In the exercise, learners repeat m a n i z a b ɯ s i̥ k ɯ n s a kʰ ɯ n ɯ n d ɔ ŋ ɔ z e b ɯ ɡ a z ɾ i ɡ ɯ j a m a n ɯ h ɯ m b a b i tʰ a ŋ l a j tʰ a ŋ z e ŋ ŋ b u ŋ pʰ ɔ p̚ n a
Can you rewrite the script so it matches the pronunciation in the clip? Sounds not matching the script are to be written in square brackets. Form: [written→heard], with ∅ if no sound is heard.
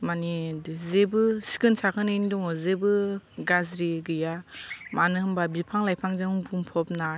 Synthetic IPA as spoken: m a n i z [a→e] b ɯ s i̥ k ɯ n s a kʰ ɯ n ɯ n d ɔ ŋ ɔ z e b ɯ ɡ a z ɾ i ɡ ɯ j a m a n ɯ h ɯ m b a b i [tʰ→pʰ] a ŋ l a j [tʰ→pʰ] a ŋ z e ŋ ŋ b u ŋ pʰ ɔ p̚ n a